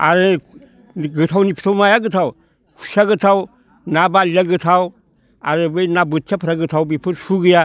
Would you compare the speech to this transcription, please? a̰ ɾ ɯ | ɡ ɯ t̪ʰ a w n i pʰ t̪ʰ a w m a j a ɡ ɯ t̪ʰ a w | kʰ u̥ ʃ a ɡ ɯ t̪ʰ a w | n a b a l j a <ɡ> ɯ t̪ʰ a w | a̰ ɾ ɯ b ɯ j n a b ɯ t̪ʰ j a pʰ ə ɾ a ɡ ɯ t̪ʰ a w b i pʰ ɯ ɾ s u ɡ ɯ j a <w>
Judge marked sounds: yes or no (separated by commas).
yes, no